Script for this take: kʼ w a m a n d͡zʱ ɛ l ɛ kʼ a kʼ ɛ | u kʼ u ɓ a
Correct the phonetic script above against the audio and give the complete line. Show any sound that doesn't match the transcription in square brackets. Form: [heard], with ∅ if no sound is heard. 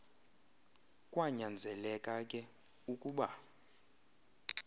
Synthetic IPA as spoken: kʼ w a [ɲ] a n d͡zʱ ɛ l ɛ kʼ a kʼ ɛ | u kʼ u ɓ a

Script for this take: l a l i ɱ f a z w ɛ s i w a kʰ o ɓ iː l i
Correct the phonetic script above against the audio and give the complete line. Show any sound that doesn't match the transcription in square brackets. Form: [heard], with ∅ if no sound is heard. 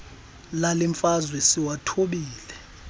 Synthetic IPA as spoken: l a l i ɱ f a z w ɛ s i w a [tʰ] o ɓ iː l [ɛ]

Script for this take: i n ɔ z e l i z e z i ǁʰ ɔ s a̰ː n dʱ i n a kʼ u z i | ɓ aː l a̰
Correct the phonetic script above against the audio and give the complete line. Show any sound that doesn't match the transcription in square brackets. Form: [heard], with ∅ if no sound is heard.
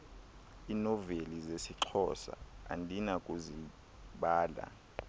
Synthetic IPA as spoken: i n ɔ [v] e l i z e [s] i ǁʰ ɔ s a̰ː n dʱ i n a kʼ u z i | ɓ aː l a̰

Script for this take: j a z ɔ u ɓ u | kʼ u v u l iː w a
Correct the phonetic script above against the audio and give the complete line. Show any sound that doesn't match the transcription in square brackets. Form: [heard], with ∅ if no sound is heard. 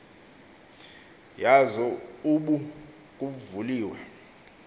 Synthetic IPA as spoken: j a z ɔ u ɓ u | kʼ u v u l iː w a

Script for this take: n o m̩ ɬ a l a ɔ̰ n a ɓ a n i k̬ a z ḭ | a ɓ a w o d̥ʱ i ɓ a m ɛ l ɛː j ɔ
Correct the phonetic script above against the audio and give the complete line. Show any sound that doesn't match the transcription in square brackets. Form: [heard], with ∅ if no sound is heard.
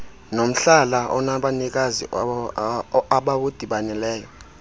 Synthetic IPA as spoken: n o m̩ ɬ a l a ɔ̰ n a ɓ a n i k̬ a z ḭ | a ɓ a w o d̥ʱ i ɓ a [n] ɛ l ɛː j ɔ

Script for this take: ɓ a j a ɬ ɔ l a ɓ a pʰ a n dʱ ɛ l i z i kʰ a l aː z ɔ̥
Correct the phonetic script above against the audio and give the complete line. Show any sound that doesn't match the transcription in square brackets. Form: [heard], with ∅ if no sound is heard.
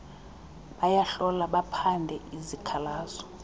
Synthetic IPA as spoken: ɓ a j a ɬ ɔ l a ɓ a pʰ a n dʱ ɛ [∅] i z i kʰ a l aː z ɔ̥

